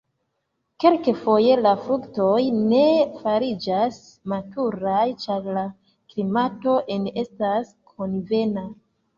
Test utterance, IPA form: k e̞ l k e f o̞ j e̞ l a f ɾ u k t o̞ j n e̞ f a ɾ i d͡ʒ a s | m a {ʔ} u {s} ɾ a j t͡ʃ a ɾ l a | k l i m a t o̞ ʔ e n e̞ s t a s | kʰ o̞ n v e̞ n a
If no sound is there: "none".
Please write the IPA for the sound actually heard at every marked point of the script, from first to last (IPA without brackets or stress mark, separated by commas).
t, none